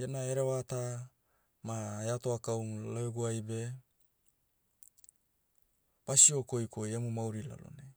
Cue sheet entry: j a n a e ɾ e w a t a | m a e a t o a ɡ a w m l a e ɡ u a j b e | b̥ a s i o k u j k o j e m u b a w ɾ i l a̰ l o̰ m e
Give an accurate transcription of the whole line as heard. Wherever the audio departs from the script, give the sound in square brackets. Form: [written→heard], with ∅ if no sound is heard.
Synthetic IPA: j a n a e ɾ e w a t a | m a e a t o a [ɡ→k] a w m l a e ɡ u a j b e | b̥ a s i o k [u→o] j k o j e m u [b→m] a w ɾ i l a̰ l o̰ [m→n] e